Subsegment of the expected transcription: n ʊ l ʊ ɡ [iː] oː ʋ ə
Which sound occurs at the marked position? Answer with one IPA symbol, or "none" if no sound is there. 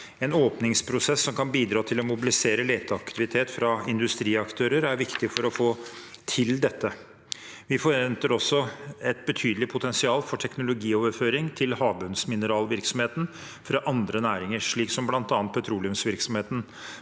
iː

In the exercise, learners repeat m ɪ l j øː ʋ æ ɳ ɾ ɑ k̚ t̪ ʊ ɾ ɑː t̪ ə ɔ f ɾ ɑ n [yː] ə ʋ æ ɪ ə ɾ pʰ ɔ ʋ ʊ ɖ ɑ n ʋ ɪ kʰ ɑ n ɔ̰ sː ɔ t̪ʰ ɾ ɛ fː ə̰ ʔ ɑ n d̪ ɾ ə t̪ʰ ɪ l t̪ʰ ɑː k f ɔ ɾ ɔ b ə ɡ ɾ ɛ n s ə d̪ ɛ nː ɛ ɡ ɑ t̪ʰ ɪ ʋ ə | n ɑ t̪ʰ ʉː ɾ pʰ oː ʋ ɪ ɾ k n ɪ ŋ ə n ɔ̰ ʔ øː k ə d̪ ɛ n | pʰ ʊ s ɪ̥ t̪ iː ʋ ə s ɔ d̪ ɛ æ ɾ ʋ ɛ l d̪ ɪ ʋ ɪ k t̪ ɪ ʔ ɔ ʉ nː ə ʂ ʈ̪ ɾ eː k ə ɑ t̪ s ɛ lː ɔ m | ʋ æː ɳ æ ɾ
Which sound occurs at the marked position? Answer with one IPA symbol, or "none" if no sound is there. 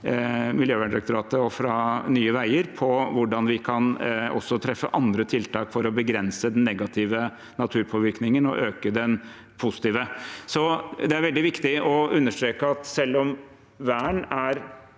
yː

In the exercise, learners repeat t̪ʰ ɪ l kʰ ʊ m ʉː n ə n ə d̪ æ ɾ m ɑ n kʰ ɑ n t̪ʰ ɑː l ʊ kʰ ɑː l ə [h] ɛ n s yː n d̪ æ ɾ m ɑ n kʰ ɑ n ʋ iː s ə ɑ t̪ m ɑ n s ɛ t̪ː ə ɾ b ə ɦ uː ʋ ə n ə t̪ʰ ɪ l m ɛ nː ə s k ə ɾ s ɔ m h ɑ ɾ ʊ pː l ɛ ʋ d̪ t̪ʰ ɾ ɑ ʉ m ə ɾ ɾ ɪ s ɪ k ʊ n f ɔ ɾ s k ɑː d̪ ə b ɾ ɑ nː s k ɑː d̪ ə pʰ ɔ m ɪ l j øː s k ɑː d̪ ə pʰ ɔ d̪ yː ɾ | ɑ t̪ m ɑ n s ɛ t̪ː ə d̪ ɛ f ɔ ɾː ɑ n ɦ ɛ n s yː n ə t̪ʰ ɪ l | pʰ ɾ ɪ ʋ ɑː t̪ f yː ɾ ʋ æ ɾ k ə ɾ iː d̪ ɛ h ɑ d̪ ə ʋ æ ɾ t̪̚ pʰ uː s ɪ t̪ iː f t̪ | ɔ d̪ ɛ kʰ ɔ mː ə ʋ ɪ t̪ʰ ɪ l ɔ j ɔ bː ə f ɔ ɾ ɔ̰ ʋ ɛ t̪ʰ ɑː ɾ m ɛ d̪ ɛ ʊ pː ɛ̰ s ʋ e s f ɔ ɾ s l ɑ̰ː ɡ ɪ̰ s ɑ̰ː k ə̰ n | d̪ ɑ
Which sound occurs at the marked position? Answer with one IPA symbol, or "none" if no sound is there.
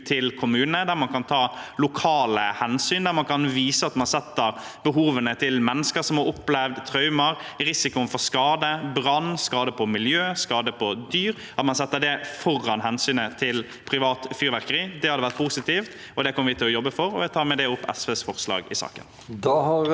h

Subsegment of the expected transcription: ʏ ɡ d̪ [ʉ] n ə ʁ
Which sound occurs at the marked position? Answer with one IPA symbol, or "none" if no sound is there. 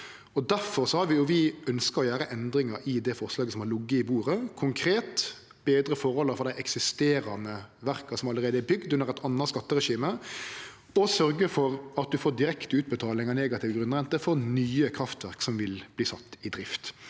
ʉ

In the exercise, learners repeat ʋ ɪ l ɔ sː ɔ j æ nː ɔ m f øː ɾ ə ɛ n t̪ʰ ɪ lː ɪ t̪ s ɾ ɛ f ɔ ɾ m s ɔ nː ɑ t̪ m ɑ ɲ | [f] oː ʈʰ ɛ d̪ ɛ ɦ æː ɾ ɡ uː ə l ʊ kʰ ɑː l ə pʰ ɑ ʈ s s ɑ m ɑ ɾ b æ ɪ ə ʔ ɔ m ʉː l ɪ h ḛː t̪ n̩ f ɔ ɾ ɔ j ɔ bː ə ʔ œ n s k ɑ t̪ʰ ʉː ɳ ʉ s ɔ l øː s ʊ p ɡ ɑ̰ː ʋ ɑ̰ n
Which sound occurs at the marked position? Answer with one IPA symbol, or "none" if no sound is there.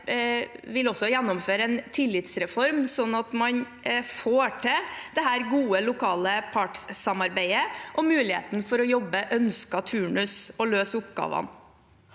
f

